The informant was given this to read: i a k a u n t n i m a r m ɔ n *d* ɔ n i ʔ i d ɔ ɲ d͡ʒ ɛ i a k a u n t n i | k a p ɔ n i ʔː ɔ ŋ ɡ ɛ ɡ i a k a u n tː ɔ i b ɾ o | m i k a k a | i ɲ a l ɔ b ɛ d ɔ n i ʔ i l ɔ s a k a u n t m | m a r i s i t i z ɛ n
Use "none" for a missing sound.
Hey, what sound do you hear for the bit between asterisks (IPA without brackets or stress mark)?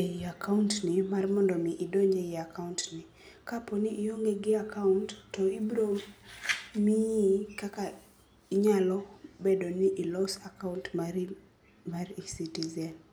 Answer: d